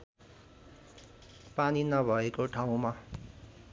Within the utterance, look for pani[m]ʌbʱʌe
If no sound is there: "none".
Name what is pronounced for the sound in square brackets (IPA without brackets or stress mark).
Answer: n